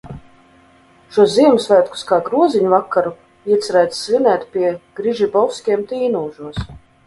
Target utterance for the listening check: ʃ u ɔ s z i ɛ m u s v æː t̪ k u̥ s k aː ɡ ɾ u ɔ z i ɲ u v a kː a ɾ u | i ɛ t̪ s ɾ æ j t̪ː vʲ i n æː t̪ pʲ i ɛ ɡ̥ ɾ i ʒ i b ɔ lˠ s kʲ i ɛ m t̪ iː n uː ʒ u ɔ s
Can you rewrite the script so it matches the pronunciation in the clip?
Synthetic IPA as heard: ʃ u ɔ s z i ɛ m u s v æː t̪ k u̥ s k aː ɡ ɾ u ɔ z i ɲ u v a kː a ɾ u | i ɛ t̪ s ɾ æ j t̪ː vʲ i n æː t̪ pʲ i ɛ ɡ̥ ɾ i ʒ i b ɔ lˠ s kʲ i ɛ m t̪ iː n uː ʒ u ɔ s